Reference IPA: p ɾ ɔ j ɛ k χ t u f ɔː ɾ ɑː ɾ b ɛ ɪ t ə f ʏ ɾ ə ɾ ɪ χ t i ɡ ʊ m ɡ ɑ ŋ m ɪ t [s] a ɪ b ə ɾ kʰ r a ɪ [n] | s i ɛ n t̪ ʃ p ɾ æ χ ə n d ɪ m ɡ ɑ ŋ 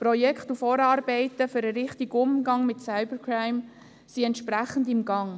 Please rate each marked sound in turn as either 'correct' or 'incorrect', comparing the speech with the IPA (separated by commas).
correct, incorrect